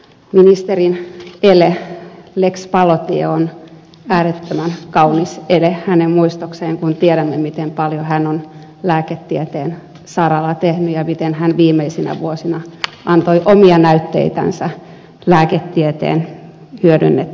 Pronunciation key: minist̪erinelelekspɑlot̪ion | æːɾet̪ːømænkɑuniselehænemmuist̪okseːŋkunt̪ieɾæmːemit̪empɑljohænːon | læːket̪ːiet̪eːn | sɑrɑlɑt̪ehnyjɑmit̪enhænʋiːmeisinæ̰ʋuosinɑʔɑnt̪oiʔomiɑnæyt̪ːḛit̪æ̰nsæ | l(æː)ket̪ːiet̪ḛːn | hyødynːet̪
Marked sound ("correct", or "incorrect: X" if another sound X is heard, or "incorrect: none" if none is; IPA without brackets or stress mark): correct